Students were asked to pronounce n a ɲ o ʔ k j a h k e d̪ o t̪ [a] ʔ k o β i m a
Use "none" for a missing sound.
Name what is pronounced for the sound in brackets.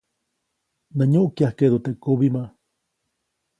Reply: e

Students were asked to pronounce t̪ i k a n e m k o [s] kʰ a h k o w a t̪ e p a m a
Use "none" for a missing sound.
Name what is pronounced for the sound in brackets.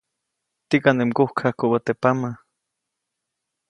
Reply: h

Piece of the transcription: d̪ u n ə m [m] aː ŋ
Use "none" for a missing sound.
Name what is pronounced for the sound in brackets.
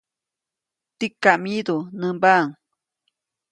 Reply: b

